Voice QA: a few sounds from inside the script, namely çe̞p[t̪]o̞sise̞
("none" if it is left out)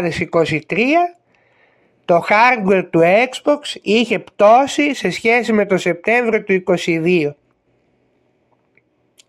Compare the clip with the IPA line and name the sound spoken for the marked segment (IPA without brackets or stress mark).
t̪